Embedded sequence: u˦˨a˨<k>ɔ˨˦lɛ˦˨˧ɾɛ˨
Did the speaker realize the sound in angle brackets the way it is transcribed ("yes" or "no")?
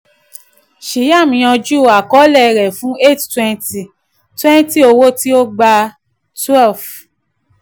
yes